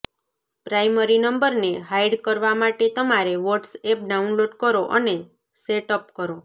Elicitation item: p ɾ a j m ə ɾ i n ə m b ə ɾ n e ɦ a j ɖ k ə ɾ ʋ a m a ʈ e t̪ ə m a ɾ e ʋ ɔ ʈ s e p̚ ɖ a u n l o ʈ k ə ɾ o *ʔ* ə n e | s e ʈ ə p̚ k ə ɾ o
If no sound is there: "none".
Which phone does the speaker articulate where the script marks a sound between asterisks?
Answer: ʔ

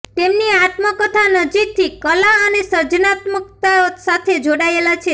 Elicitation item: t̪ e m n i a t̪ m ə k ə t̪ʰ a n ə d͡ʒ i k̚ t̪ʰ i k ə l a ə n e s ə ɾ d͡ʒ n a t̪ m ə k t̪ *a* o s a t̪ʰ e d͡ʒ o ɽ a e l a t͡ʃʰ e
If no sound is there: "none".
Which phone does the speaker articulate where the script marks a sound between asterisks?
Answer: a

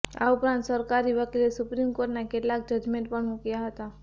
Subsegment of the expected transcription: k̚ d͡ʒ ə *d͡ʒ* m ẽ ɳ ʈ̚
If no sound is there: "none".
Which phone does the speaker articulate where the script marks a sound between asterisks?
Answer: d͡ʒ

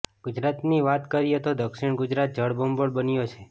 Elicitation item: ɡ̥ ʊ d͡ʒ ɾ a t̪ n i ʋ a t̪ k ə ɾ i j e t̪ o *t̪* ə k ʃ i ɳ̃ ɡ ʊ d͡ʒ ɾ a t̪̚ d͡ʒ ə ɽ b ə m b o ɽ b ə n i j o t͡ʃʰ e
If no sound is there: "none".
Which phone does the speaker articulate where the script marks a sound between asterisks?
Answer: d̪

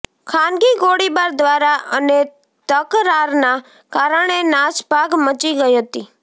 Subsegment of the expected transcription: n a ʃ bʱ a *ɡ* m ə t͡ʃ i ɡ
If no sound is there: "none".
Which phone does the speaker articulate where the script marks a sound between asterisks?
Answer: ɡ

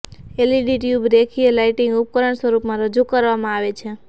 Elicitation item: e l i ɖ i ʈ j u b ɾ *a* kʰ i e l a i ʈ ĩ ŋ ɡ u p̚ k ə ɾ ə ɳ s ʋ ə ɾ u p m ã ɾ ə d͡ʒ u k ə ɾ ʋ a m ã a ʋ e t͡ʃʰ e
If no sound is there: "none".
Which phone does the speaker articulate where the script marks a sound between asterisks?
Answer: e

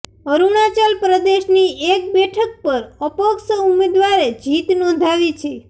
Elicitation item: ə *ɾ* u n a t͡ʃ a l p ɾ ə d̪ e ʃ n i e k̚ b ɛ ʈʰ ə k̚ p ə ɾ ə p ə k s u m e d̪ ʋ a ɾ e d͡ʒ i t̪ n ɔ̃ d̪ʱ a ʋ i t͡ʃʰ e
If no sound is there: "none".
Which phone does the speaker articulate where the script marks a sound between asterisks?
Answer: ɾ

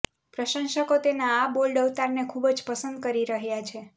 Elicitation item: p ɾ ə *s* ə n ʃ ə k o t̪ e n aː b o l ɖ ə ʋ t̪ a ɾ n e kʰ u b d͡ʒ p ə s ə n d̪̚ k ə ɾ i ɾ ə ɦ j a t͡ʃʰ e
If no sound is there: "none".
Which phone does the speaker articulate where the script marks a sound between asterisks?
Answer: ʃ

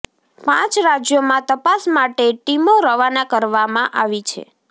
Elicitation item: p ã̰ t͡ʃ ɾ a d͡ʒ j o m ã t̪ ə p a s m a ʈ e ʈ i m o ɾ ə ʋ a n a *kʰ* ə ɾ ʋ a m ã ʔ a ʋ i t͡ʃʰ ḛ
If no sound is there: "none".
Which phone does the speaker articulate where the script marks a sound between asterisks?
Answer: k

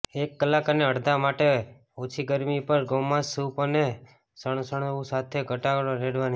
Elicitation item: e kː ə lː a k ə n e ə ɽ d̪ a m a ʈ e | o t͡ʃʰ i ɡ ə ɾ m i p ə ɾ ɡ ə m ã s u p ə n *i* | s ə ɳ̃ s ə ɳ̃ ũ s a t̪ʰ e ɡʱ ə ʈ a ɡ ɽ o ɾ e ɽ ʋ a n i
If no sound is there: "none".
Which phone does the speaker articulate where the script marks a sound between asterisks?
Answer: e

